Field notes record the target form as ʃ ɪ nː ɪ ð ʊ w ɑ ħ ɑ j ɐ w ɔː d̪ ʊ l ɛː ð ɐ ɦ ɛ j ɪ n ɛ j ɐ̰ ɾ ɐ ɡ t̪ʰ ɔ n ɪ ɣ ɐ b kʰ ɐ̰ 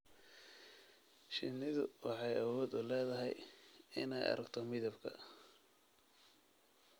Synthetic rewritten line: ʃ ɪ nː ɪ ð ʊ w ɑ ħ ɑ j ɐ w ɔː d̪ ʊ l ɛː ð ɐ ɦ ɛ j ɪ n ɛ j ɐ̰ ɾ ɐ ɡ t̪ʰ ɔ m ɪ ð ɐ b kʰ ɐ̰